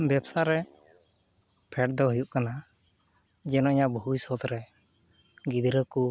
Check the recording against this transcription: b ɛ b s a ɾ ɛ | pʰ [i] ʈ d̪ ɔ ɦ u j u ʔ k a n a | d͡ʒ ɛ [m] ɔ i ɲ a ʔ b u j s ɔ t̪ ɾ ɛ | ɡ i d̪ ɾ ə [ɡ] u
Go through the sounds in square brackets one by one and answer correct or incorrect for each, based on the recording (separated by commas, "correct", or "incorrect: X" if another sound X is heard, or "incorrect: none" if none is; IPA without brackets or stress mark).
incorrect: ɛ, incorrect: n, incorrect: k